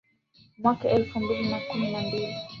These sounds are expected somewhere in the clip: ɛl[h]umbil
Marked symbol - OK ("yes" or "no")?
no